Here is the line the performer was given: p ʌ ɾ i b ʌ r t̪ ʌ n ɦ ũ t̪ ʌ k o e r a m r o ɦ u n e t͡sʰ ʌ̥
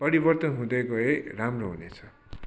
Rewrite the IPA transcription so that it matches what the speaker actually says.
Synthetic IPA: p ʌ ɾ i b ʌ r t̪ ʌ n ɦ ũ d̪ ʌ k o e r a m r o ɦ u n e t͡sʰ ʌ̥